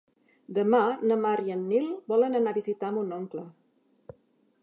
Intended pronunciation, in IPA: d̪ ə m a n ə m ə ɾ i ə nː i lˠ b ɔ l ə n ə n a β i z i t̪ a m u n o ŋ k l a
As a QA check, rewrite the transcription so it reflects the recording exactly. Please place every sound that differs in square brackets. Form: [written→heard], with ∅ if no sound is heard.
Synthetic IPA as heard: d̪ ə m a n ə m [ə→a] ɾ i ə nː i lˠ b ɔ l ə n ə n a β i z i t̪ a m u n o ŋ k l [a→ə]

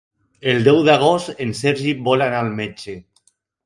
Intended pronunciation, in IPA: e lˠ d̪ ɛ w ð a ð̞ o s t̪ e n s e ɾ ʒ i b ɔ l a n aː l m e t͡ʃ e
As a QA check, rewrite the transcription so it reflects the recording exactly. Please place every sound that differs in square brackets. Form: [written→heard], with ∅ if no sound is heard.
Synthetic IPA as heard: e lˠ d̪ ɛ w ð a [ð̞→ɣ̞] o s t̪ e n s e ɾ ʒ i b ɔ l a n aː l m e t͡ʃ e

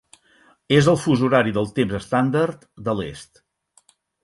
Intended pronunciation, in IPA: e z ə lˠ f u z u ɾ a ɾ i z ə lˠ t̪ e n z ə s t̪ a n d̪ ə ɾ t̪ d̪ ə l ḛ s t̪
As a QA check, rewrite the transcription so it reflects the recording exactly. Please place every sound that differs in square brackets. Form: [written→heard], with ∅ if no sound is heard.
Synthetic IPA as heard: e z ə lˠ f u z u ɾ a ɾ i [z→ð] ə lˠ t̪ e [n→m] z ə s t̪ a n d̪ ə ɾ t̪ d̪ ə l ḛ s t̪

